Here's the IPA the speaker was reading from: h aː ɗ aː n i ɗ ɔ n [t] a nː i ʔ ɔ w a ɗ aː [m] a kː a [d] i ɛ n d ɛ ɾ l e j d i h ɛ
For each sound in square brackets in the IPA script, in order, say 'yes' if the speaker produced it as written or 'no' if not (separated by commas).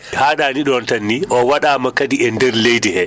yes, yes, yes